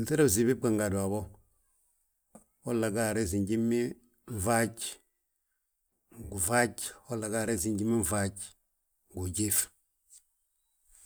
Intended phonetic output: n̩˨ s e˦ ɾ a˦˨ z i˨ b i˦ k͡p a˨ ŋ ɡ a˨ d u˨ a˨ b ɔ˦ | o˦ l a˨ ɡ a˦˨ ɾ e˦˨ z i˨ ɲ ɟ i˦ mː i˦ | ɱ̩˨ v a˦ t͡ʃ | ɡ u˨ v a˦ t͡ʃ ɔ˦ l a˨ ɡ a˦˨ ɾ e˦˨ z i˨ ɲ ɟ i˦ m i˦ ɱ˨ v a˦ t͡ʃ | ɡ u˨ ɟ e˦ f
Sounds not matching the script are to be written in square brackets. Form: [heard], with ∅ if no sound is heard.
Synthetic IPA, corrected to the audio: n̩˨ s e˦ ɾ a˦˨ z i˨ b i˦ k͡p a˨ ŋ ɡ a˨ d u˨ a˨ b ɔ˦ | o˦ l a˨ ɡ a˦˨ ɾ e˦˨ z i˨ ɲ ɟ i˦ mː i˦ | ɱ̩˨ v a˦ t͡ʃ | ɡ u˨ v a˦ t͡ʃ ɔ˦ l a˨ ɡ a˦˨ ɾ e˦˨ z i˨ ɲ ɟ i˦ m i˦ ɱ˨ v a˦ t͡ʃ | ɡ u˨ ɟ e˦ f